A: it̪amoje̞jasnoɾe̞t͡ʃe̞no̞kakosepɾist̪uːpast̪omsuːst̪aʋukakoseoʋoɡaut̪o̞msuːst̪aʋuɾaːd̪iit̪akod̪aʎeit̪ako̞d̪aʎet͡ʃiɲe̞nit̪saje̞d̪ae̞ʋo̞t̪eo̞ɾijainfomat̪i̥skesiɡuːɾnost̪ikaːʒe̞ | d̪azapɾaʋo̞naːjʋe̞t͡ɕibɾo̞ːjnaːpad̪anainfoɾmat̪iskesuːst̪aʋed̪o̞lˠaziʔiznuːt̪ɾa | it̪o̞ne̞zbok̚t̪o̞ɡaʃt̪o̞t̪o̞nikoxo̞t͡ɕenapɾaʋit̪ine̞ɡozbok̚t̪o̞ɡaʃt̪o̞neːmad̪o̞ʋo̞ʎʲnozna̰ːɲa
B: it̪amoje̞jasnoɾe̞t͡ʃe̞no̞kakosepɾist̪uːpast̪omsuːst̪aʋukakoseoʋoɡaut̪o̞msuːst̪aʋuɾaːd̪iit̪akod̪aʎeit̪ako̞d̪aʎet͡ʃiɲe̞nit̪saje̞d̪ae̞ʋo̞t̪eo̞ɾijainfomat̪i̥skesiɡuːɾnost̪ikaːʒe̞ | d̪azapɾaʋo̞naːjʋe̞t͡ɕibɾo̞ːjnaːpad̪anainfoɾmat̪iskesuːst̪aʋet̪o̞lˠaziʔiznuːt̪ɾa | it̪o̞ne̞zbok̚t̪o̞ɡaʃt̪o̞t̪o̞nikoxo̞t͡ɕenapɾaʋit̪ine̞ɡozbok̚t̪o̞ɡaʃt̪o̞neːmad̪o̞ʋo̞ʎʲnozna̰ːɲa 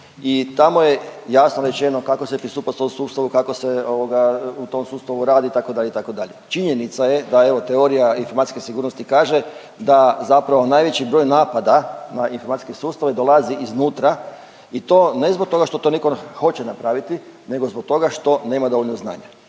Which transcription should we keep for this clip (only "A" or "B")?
A